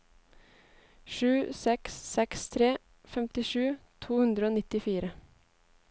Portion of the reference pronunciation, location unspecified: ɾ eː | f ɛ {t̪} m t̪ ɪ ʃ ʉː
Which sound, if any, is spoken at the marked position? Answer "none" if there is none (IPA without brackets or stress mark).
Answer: none